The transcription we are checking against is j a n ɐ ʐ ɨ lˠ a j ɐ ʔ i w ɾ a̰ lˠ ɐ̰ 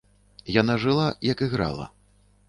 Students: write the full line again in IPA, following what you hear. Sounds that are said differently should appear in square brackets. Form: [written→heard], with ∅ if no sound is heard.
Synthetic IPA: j a n [ɐ→a] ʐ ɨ lˠ a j ɐ [ʔ→k] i [w→ɣ] ɾ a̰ lˠ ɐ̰